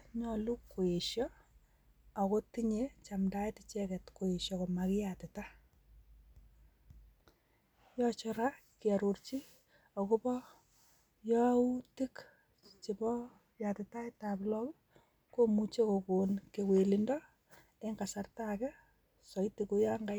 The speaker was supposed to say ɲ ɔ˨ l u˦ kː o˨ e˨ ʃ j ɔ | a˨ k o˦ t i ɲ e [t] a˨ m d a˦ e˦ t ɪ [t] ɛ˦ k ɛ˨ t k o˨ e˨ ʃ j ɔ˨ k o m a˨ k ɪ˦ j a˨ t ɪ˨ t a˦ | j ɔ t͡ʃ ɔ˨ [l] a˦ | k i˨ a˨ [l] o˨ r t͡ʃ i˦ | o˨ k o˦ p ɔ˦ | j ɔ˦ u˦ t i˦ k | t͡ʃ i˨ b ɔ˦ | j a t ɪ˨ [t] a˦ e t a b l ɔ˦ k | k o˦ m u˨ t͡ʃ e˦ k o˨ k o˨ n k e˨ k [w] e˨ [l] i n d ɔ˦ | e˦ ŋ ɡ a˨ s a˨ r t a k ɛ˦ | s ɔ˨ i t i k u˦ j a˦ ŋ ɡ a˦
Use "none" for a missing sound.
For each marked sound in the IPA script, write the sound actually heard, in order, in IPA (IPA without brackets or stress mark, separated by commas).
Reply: t͡ʃ, t͡ʃ, ɾ, ɾ, t, w, l